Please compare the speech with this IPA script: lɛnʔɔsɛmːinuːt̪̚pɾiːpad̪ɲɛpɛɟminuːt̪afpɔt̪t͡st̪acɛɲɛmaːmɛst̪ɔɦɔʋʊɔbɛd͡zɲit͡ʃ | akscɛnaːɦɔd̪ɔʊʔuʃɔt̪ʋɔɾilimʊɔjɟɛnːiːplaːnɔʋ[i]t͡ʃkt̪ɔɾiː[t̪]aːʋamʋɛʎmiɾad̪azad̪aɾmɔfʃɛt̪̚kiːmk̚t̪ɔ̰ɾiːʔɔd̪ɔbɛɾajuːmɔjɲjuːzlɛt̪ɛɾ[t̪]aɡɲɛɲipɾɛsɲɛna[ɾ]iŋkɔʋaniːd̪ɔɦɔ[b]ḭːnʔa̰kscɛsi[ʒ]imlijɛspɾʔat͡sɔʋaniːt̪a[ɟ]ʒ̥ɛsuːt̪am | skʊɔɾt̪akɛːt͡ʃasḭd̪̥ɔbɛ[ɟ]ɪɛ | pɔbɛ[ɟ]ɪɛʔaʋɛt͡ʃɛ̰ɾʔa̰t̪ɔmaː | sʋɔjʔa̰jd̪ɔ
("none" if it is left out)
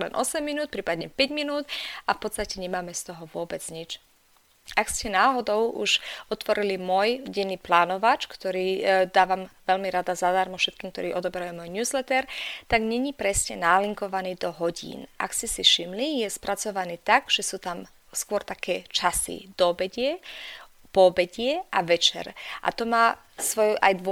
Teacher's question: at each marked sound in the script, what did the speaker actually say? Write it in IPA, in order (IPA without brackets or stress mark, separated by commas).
a, d̪, t̪, l, ɟ, ʃ, ɡ, ɟ, ɟ